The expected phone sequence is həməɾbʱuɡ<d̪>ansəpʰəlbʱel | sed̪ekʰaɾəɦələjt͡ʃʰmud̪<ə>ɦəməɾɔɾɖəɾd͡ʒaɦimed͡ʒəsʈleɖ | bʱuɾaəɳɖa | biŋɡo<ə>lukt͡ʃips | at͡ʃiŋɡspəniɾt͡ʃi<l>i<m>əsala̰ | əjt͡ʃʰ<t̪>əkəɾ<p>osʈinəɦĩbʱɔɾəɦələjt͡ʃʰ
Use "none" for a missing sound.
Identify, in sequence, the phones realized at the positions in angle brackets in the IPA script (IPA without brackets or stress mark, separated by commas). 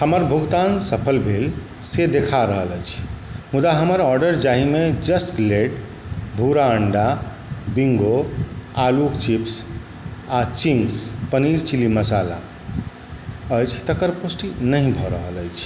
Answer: t̪, a, a, l, m, t̪, p